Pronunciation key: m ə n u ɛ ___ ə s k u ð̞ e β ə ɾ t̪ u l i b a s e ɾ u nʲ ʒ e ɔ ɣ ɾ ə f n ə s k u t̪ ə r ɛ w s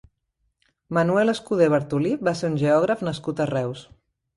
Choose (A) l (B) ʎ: A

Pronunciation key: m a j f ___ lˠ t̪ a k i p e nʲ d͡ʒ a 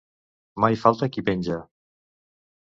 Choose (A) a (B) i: A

